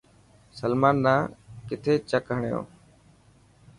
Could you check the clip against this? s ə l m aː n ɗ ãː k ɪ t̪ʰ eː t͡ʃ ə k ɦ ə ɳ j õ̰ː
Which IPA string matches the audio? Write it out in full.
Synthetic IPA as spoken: s ə l m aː n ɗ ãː k ɪ t̪ʰ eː t͡ʃ ə k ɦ ə ɳ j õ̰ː